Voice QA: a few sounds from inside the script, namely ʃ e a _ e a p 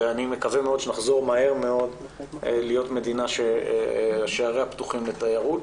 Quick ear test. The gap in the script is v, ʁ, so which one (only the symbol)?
ʁ